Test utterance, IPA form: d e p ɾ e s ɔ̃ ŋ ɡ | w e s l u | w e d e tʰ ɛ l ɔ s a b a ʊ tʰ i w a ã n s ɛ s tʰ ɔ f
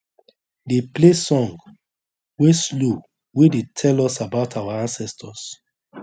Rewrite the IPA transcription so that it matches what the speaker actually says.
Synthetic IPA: d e p l e s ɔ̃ ŋ ɡ | w e s l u | w e d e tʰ ɛ l ɔ s a b a ʊ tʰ a w a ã n s ɛ s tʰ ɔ s